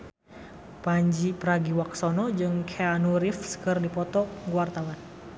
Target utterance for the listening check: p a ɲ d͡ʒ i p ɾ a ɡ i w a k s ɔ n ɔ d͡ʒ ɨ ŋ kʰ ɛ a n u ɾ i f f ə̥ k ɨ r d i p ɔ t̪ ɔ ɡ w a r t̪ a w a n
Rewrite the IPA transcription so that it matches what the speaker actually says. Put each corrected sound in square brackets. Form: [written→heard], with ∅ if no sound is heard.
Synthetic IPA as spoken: p a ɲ d͡ʒ i p ɾ a ɡ i w a k s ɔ n ɔ d͡ʒ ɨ ŋ kʰ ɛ a n u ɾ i f [f→s] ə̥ k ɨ r d i p ɔ t̪ ɔ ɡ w a r t̪ a w a n